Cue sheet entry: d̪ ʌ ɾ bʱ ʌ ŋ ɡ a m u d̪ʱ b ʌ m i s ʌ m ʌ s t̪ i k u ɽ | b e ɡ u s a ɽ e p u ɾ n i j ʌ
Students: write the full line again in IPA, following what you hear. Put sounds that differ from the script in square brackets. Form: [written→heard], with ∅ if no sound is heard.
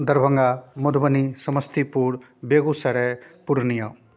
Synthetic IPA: d̪ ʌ ɾ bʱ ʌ ŋ ɡ a m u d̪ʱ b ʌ [m→n] i s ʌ m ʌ s t̪ i [k→p] u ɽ | b e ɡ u s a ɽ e p u ɾ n i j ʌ

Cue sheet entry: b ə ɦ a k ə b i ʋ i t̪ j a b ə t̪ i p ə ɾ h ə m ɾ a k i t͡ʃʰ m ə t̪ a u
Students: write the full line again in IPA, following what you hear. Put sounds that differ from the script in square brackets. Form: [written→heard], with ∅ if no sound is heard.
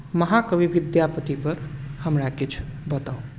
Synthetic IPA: [b→m] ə ɦ a k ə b i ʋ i [t̪→d̪] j a [b→p] ə t̪ i p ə ɾ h ə m ɾ a k i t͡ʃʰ [m→b] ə t̪ a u

